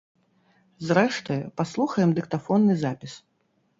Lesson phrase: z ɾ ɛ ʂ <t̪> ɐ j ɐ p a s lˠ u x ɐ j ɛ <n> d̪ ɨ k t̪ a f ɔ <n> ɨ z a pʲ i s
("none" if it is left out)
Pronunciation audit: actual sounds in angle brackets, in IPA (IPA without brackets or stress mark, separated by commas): t̪, m, nː